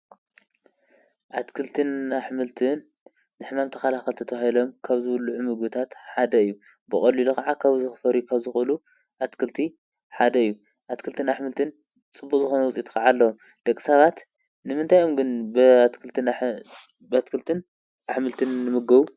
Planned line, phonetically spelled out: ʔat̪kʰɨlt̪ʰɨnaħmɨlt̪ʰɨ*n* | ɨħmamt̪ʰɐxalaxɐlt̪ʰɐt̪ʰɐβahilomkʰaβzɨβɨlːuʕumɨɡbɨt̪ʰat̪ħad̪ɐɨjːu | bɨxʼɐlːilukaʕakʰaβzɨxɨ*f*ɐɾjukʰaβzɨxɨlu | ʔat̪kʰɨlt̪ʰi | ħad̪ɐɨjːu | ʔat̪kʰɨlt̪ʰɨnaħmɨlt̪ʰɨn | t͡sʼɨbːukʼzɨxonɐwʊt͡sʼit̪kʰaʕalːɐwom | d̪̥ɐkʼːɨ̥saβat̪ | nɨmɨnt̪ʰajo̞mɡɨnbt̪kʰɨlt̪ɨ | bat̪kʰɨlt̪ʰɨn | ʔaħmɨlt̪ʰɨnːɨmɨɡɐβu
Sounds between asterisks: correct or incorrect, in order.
incorrect: nː, correct

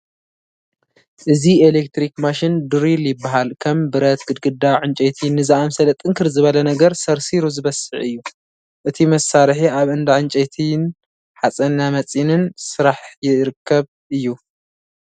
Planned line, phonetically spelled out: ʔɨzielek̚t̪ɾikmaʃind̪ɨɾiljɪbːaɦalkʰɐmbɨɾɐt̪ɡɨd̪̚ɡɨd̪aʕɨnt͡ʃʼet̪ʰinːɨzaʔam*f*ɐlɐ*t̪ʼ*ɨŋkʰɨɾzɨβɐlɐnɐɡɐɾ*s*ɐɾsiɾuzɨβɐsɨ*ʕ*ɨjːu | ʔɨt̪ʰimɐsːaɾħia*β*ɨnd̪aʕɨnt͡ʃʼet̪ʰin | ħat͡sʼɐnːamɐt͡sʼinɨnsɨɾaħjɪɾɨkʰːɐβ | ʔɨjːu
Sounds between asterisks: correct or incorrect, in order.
incorrect: s, correct, correct, correct, correct

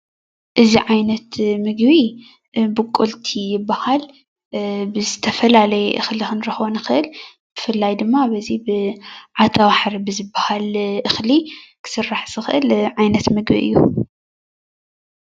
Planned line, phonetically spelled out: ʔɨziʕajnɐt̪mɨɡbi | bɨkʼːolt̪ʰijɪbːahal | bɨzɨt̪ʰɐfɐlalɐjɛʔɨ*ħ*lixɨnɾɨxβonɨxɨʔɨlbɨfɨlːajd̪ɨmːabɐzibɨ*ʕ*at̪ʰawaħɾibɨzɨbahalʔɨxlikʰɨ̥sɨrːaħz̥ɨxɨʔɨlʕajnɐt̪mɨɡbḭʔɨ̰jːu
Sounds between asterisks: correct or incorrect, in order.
incorrect: x, correct

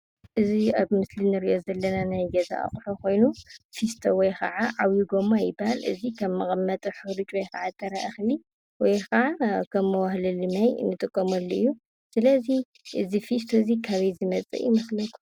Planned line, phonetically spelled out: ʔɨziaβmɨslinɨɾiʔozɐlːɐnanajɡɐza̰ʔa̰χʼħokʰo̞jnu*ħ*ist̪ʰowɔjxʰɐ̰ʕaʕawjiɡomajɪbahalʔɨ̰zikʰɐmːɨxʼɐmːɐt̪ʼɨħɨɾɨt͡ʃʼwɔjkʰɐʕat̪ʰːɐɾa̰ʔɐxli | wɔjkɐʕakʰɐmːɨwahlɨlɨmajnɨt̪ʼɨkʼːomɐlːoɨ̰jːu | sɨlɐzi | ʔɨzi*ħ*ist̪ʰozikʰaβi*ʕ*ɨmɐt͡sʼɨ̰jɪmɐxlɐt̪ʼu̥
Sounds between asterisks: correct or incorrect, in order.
incorrect: f, incorrect: f, incorrect: z

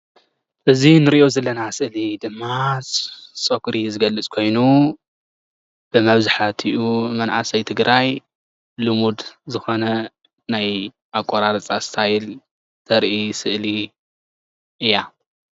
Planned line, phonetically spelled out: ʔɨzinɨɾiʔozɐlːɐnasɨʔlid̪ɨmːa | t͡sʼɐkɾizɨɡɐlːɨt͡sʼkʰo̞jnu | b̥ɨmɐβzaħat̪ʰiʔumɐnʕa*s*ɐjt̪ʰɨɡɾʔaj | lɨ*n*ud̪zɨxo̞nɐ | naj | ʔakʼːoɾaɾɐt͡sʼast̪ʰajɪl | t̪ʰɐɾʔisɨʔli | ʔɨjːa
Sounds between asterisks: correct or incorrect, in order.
correct, incorrect: m

